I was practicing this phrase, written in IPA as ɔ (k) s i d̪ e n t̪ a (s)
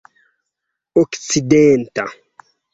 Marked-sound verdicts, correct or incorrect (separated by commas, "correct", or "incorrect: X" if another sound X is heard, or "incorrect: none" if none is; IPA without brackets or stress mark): correct, incorrect: none